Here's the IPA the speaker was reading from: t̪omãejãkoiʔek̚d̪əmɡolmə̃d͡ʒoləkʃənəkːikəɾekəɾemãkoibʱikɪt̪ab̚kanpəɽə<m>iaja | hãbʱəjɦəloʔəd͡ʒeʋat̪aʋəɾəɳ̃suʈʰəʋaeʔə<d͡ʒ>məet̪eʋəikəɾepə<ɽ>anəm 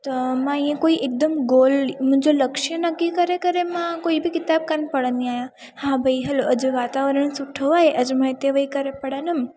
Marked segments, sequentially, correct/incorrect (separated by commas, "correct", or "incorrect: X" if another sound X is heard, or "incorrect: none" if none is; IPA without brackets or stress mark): incorrect: n, correct, correct